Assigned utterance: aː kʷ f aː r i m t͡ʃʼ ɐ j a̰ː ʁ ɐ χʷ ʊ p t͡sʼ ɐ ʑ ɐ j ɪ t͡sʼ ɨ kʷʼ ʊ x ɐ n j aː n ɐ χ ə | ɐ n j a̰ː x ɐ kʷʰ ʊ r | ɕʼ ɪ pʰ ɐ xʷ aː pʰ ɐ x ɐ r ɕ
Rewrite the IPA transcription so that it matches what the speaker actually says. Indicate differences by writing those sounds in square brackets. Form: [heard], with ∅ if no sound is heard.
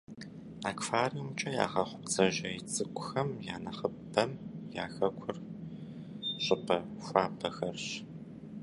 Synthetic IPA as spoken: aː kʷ f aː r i m t͡ʃʼ ɐ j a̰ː ʁ ɐ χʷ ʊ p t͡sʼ ɐ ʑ ɐ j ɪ t͡sʼ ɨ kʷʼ ʊ x ɐ [m] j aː n ɐ χ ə | ɐ [m] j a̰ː x ɐ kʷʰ ʊ r | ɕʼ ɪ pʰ ɐ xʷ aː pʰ ɐ x ɐ r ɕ